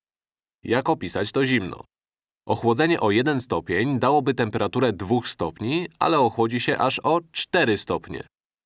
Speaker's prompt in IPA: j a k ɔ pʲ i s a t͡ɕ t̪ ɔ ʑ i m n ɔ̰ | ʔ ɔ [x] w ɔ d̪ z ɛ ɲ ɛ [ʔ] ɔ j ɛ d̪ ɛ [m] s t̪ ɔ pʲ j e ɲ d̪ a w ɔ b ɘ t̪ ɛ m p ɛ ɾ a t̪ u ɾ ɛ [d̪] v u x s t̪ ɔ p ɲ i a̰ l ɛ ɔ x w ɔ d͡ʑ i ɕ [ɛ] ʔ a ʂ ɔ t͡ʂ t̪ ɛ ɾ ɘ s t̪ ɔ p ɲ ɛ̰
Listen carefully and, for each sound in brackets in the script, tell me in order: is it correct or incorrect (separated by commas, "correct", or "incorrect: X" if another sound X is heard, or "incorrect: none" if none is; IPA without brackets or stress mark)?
correct, correct, incorrect: n, correct, correct